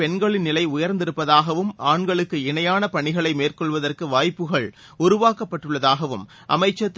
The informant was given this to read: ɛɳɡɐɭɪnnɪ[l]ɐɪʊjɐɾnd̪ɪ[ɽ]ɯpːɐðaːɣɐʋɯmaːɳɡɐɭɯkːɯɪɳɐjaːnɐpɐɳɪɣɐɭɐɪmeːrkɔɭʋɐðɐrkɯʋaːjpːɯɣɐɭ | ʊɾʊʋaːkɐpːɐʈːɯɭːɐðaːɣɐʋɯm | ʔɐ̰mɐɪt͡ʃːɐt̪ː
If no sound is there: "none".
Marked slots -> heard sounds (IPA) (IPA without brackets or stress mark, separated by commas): l, ɾ